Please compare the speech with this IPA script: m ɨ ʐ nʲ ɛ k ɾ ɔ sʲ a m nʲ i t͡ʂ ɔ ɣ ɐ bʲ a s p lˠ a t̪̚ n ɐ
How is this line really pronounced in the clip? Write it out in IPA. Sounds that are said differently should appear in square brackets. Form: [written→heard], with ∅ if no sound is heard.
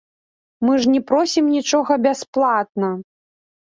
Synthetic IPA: m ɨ ʐ nʲ ɛ [k→p] ɾ ɔ sʲ [a→i] m nʲ i t͡ʂ ɔ ɣ ɐ bʲ a s p lˠ a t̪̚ n ɐ